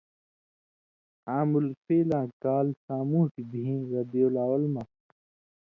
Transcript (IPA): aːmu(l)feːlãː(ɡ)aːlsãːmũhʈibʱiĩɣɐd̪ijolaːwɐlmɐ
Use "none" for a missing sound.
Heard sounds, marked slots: l, k

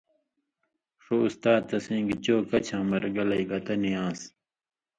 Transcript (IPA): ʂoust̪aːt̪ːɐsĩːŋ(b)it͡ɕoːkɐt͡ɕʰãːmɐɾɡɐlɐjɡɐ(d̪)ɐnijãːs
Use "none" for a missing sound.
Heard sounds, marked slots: ɡ, t̪

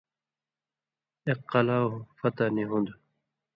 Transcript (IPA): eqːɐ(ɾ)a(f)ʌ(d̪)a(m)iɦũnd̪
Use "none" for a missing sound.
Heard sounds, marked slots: l, f, t̪, n

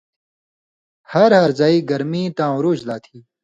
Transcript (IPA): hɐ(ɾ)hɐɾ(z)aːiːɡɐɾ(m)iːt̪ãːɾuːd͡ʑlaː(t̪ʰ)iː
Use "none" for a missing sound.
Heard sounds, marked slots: ɾ, z, m, t̪ʰ

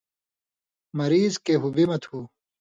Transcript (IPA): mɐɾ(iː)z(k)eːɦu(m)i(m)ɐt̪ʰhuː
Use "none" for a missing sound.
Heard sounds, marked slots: iː, k, b, m

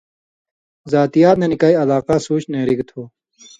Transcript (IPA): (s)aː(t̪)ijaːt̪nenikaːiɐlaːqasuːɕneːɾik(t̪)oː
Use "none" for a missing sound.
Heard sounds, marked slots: z, t̪, t̪ʰ

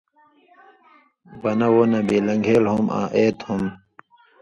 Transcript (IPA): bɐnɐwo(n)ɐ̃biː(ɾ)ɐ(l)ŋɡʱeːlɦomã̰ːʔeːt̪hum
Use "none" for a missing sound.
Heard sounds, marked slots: n, l, none

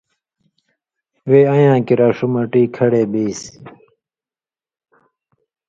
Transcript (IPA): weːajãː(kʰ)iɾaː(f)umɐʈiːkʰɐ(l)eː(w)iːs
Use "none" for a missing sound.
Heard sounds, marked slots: k, ʂ, ɽ, b

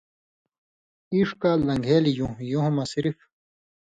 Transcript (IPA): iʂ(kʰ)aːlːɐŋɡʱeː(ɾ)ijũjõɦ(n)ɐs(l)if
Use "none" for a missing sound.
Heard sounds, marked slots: k, l, m, ɾ

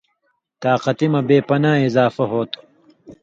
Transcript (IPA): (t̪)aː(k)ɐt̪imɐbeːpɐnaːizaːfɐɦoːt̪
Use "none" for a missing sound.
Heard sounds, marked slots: t̪, q

